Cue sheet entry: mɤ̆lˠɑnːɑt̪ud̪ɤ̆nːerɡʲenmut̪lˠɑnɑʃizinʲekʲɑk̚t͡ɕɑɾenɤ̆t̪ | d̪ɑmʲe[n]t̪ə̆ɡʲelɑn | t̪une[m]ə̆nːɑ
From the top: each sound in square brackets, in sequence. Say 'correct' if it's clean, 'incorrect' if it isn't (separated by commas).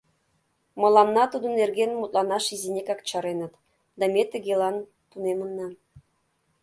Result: incorrect, correct